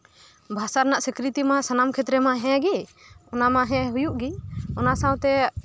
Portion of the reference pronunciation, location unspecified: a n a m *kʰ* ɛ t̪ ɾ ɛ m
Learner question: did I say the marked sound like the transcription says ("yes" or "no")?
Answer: yes